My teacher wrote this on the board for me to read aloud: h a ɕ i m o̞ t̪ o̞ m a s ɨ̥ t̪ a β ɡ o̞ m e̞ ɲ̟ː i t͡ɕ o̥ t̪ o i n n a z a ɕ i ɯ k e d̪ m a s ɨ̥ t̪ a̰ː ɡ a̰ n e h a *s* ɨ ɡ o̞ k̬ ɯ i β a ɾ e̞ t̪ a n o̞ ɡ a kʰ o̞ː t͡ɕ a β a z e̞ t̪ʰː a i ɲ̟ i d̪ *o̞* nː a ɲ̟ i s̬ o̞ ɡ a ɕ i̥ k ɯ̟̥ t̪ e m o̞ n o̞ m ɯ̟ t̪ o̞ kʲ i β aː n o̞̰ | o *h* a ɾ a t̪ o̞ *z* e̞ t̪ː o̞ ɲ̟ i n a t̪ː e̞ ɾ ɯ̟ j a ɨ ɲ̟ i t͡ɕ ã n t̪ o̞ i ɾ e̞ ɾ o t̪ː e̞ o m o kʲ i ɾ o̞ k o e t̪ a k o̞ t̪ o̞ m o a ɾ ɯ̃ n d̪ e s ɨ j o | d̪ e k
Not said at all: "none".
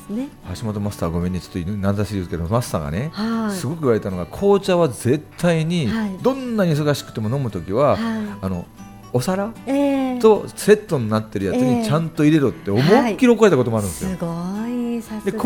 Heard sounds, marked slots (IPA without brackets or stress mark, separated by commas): s, õ̞, s, s